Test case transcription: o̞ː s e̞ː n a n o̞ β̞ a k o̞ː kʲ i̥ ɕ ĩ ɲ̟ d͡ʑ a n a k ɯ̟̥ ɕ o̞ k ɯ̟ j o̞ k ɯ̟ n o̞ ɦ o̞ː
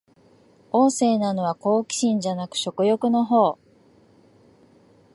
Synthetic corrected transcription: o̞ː s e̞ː n a n o̞ β̞ a k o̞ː kʲ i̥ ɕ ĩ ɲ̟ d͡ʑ a n a k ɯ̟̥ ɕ o̞ k ɯ̟ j o̞ k ɯ̟ n o̞ ɦ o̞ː